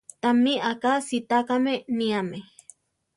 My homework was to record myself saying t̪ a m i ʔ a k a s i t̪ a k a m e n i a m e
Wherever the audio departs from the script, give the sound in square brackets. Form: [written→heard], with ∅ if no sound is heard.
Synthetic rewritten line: t̪ a m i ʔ a k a s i t̪ a k a m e n i a m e